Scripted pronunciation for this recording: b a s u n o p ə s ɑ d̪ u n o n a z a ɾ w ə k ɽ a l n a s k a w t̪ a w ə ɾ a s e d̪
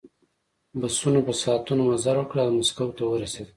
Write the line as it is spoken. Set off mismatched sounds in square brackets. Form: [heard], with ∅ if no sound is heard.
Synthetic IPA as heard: b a s u n o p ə s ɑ [t̪] u n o [m] a z a ɾ w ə k ɽ a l [m] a s k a w t̪ a w ə ɾ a s e d̪